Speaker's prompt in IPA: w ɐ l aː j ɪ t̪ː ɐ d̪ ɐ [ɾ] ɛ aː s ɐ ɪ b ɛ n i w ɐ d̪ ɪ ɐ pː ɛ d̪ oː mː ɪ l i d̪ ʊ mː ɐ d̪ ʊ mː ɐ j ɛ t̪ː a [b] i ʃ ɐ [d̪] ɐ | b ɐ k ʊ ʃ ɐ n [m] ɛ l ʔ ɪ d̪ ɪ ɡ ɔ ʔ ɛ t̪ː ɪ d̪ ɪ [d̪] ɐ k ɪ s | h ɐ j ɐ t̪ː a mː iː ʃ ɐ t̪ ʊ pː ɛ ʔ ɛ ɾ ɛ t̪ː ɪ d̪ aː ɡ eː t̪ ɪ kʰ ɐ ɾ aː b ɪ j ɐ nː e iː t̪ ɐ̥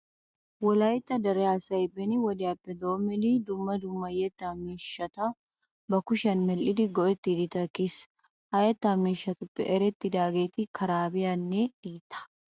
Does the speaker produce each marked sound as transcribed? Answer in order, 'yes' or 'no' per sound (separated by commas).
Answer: yes, no, no, yes, no